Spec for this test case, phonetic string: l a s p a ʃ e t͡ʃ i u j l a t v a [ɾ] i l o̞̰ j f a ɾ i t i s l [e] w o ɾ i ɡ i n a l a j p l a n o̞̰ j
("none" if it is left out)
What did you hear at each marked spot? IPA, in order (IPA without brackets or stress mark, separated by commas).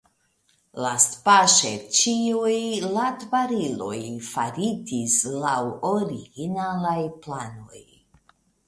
ɾ, a